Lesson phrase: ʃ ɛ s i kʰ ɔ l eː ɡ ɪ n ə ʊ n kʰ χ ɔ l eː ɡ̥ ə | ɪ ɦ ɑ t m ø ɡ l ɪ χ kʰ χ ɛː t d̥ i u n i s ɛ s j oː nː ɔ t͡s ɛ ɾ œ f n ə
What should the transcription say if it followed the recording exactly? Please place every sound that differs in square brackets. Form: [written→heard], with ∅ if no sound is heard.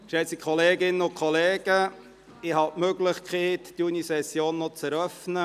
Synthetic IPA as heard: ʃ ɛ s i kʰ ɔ l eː ɡ ɪ n ə ʊ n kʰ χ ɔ l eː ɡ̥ ə | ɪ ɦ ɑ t m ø ɡ l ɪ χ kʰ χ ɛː t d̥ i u n i s ɛ s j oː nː ɔ t͡s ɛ ɾ œ f n ə